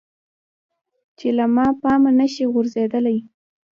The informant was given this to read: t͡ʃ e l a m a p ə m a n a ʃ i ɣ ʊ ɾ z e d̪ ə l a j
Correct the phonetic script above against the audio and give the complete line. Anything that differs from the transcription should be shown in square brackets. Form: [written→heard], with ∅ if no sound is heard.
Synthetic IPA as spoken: t͡ʃ e l a m [a→ɑ] p [ə→ɑ] m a n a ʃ i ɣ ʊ ɾ z e d̪ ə l a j